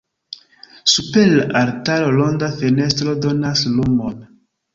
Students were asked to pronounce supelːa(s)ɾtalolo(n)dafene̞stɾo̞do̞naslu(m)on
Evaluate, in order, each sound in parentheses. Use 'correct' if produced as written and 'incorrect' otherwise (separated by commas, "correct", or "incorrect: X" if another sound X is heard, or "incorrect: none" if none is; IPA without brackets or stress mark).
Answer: incorrect: none, correct, correct